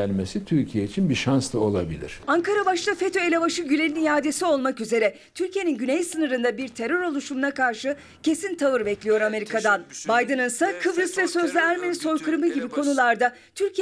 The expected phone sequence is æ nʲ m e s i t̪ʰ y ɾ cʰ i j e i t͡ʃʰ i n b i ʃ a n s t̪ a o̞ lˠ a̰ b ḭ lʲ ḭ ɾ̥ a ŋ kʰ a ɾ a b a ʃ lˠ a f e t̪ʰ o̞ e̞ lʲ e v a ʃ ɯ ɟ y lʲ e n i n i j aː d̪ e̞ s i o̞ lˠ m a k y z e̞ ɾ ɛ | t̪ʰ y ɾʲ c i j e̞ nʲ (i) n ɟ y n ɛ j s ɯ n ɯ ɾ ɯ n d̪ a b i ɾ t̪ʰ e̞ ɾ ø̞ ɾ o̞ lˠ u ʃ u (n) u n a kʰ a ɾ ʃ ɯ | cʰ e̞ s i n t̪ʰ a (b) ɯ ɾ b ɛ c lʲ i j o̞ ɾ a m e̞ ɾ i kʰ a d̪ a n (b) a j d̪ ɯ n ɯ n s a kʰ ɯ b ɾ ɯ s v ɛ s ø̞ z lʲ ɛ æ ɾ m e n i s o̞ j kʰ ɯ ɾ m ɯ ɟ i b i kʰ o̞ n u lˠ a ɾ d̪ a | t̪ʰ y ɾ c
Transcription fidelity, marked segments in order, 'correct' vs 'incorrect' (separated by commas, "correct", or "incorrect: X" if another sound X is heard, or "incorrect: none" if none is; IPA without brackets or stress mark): correct, incorrect: m, incorrect: v, correct